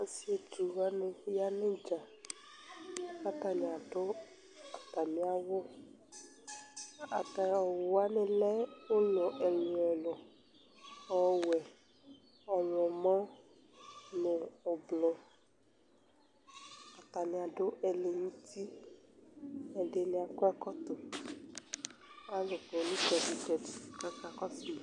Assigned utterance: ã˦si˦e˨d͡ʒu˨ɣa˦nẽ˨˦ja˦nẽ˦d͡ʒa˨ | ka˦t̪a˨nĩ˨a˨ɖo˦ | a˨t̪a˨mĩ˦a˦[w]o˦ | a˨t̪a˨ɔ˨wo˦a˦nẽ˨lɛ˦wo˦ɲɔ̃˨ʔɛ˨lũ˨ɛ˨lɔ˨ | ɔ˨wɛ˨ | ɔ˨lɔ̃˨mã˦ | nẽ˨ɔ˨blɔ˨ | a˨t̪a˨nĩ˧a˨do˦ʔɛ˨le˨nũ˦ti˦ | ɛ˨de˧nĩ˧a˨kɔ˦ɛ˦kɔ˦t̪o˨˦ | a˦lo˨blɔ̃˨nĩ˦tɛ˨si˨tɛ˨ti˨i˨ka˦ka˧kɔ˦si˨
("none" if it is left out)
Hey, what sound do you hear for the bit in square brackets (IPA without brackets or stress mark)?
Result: w